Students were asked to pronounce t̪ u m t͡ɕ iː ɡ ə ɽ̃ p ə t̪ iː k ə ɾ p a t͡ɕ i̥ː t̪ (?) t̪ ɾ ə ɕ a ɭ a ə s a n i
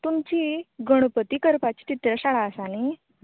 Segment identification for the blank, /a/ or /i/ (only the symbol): i